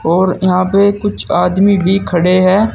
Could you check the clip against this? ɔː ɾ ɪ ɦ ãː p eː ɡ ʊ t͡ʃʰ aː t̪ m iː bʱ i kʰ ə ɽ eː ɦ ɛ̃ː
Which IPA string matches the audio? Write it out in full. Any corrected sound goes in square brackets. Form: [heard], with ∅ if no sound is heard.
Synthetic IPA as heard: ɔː ɾ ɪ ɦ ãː p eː [k] ʊ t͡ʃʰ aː [d̪] m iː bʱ [iː] kʰ ə ɽ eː ɦ [ɛː]